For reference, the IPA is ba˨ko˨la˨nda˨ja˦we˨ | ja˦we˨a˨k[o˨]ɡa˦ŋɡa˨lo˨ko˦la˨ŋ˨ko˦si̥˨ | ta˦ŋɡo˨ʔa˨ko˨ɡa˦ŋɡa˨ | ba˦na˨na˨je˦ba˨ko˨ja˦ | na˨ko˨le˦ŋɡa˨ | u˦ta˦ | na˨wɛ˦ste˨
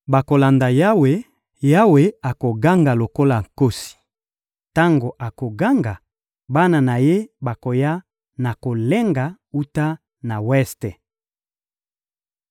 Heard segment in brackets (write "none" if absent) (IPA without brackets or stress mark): o˨